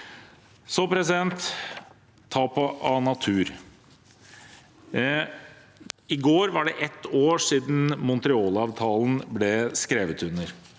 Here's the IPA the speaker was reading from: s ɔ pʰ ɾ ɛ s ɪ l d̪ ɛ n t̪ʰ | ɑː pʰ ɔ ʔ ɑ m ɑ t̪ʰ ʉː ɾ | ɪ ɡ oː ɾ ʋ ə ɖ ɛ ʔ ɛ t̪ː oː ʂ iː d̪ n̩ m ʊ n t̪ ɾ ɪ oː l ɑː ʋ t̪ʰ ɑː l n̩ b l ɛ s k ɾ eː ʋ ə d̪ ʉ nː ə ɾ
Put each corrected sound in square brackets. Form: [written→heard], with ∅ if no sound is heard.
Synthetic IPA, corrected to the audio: s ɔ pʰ ɾ ɛ s ɪ [l→∅] d̪ ɛ n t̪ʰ | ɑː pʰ ɔ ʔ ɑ [m→n] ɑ t̪ʰ ʉː ɾ | ɪ ɡ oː ɾ ʋ [ə→ɑ] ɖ ɛ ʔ ɛ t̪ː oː ʂ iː d̪ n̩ m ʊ n t̪ ɾ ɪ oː l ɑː ʋ t̪ʰ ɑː l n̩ b l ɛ s k ɾ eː ʋ ə [d̪→t̪] ʉ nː ə ɾ